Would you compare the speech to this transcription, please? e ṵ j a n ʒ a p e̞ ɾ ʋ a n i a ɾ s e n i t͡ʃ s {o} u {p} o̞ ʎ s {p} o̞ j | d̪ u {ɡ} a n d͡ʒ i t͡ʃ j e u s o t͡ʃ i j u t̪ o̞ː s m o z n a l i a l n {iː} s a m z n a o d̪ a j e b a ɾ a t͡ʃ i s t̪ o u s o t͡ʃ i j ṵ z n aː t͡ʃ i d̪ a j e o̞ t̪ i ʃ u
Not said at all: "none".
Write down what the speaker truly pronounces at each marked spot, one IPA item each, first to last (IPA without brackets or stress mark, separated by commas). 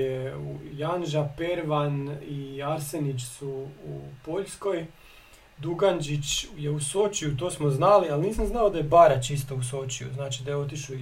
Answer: u, p, k, ɡ, iː